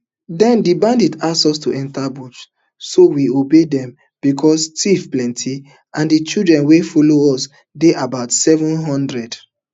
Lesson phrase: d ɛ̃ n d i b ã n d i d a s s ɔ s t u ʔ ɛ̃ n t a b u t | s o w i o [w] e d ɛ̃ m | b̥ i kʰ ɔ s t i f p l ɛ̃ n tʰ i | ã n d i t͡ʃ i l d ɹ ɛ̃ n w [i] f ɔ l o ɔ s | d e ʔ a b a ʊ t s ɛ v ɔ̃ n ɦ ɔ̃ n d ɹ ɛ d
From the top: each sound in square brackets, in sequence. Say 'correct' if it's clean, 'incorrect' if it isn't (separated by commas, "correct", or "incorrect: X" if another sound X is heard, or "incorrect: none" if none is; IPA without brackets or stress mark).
incorrect: b, incorrect: e